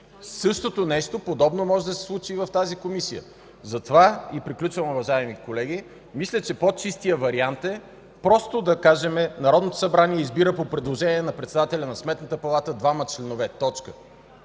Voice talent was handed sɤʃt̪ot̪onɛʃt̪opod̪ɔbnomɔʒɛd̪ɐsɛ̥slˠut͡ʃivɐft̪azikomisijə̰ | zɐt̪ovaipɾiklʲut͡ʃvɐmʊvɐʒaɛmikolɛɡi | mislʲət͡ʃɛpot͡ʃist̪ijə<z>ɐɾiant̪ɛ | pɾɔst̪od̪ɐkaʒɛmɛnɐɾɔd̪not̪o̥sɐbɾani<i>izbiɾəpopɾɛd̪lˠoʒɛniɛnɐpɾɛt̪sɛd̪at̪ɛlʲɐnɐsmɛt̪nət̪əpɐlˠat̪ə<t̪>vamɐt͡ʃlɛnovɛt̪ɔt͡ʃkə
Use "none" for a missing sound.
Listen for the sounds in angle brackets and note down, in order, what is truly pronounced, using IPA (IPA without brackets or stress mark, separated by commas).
v, ɛ, d̪